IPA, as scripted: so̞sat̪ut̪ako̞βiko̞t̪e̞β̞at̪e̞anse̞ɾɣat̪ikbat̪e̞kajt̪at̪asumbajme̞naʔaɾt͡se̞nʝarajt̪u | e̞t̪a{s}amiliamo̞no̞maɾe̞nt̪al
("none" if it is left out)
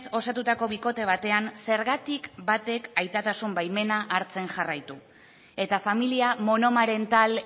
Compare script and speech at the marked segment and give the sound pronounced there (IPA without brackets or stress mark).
f